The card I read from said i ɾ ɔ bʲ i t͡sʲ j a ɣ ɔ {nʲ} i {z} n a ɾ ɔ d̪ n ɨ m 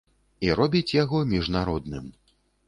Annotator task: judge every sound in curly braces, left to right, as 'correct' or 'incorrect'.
incorrect, incorrect

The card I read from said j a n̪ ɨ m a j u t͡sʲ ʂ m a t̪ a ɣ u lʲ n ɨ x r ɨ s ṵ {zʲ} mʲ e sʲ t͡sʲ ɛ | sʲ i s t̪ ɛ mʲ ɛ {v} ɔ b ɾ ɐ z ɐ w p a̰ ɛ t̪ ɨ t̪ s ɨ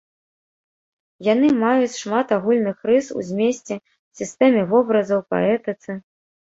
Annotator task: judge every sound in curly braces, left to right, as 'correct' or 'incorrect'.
correct, correct

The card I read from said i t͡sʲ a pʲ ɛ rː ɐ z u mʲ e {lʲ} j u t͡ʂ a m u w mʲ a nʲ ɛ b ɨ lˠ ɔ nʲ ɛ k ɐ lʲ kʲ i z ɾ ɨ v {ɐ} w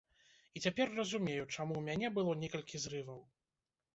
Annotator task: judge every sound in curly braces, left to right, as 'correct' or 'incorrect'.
incorrect, correct

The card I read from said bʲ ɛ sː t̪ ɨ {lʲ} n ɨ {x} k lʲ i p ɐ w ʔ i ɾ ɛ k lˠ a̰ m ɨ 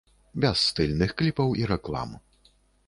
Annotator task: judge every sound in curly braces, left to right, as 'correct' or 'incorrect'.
correct, correct

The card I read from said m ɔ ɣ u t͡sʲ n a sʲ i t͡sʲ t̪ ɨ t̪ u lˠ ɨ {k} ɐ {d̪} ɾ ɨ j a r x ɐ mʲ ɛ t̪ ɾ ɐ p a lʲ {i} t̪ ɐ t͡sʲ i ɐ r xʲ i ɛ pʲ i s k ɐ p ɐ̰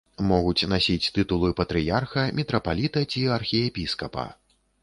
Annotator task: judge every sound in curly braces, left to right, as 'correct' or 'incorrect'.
incorrect, incorrect, correct

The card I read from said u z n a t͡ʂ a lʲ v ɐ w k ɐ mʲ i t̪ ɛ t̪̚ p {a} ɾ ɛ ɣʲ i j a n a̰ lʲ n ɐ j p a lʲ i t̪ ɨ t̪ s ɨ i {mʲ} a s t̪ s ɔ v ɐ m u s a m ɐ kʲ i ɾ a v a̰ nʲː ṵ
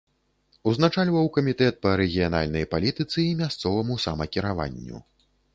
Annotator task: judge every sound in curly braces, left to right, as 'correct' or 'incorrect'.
incorrect, correct

